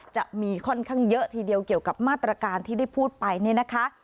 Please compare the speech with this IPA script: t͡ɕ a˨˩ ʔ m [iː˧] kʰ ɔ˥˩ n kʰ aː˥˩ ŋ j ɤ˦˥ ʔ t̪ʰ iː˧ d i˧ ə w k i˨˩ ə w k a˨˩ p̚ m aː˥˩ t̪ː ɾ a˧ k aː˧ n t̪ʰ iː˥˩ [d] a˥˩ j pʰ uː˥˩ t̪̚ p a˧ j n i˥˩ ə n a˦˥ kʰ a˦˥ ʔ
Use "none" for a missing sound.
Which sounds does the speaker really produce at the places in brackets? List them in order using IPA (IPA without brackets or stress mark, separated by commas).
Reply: iː˧, d